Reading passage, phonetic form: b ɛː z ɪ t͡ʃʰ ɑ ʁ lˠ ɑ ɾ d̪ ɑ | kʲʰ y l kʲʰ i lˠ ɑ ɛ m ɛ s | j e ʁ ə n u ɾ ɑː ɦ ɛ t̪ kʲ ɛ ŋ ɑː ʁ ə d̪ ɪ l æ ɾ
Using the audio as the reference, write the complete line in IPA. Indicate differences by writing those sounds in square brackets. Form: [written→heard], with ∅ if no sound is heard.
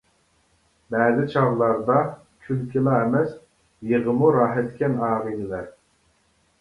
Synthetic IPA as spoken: b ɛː z ɪ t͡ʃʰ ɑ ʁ lˠ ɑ ɾ d̪ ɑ | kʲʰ y l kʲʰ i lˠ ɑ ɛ m ɛ s | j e ʁ ə [n→m] u ɾ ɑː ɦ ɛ t̪ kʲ ɛ [ŋ→n] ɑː ʁ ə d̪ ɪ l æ ɾ